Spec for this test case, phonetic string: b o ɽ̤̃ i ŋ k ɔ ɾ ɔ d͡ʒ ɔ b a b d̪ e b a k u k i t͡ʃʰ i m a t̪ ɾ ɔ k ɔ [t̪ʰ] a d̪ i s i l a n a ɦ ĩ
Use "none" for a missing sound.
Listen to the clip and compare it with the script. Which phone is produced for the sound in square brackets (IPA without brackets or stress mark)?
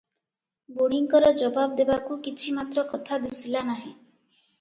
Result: t̪ʰ